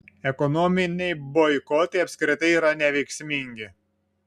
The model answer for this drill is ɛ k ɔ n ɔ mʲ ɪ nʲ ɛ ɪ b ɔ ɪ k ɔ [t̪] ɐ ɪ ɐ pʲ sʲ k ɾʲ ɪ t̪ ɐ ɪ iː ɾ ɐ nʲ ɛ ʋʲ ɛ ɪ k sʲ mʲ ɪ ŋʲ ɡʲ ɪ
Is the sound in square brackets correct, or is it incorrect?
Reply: correct